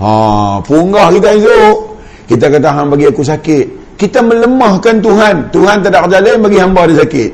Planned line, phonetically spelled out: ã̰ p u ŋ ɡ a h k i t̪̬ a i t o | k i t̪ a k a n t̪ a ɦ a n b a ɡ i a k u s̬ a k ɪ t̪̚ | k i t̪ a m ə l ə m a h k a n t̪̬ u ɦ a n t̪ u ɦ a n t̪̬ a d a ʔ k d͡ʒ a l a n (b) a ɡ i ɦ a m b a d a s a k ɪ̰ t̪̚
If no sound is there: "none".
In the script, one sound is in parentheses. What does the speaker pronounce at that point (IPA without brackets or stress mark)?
b